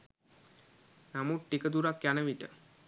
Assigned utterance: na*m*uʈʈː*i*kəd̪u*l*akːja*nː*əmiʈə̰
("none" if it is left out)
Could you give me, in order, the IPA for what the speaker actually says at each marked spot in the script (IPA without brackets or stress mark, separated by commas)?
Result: m, i, ɾ, n